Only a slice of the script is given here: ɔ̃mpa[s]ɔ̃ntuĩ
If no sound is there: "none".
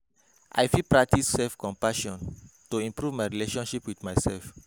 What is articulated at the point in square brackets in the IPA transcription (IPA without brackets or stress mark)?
ʃ